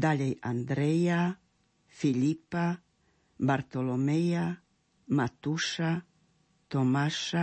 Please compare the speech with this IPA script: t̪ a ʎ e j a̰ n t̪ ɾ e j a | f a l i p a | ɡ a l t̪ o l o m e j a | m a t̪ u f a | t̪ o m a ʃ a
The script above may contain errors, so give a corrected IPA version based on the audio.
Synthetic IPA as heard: d̪ a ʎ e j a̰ n d̪ ɾ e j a | f i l i p a | b a ɾ t̪ o l o m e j a | m a t̪ u ʃ a | t̪ o m a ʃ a